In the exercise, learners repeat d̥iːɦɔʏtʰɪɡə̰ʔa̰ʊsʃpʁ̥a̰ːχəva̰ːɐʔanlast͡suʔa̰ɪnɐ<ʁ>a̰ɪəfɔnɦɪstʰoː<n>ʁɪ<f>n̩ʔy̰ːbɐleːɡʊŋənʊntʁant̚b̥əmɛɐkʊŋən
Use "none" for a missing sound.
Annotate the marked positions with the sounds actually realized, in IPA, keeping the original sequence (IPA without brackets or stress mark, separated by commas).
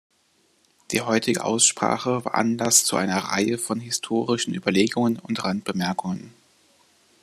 ʁ, none, ʃ